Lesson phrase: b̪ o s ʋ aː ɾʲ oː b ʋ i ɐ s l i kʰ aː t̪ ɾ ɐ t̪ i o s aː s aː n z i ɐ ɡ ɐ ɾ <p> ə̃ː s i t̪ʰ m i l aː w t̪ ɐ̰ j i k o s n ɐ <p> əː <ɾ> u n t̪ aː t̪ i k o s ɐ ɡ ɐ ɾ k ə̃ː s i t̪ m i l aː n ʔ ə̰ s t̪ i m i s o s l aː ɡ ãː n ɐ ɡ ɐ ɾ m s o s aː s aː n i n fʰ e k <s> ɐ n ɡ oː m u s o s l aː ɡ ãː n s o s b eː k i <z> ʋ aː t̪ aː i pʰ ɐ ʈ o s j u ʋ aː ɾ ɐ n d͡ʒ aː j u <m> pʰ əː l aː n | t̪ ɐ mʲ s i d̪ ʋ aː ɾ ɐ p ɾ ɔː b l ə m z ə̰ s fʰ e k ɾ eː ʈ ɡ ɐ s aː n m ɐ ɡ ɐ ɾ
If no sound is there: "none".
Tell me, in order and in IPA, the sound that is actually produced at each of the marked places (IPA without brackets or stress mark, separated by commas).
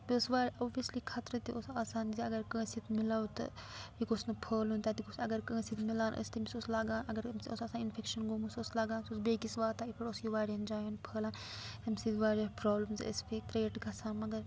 k, pʰ, l, ʃ, s, n